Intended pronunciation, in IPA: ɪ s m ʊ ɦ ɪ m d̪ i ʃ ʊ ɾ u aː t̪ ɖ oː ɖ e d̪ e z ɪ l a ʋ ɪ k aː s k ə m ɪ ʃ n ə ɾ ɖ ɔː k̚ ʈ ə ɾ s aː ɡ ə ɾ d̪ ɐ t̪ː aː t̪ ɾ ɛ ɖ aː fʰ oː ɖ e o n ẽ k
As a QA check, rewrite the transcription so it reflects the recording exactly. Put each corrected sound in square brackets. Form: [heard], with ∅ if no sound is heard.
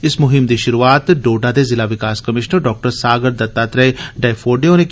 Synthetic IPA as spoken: ɪ s m ʊ ɦ ɪ m d̪ i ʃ ʊ ɾ u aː t̪ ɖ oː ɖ [a] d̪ e z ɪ l a ʋ ɪ k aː s k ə m ɪ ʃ n ə ɾ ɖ ɔː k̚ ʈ ə ɾ s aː ɡ ə ɾ d̪ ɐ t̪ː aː t̪ ɾ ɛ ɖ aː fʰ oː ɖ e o n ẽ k